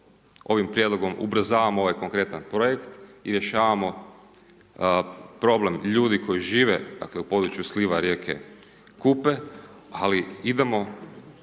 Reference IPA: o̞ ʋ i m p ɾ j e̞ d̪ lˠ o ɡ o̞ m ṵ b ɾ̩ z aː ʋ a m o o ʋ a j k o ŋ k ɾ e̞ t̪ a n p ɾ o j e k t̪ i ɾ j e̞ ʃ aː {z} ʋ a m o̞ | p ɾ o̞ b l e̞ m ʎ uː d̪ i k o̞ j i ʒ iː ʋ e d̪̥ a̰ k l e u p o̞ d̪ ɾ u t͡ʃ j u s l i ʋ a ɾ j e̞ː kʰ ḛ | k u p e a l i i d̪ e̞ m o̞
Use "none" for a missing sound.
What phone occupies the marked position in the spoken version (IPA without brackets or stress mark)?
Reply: none